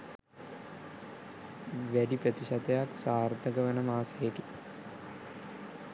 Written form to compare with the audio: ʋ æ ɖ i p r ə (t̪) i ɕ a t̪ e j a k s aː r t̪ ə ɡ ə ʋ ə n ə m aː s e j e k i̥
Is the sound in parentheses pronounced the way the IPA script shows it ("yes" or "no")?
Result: yes